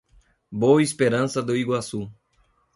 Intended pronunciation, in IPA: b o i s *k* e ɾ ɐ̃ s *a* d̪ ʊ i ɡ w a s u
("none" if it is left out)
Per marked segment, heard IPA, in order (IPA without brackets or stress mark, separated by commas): p, ɐ